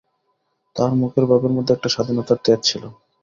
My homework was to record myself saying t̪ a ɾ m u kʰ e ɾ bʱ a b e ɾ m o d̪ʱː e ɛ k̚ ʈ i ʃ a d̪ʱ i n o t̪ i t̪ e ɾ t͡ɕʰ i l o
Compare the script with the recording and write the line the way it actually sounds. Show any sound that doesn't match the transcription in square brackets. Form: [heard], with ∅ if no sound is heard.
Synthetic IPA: t̪ a ɾ m u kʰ e ɾ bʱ a b e ɾ m o d̪ʱː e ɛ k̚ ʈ [a] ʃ a d̪ʱ i n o t̪ [a] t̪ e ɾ t͡ɕʰ i l o